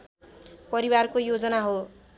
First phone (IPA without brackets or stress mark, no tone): p